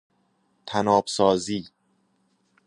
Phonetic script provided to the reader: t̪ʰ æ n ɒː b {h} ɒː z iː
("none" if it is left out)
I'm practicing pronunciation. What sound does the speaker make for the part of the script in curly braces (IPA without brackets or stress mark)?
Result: s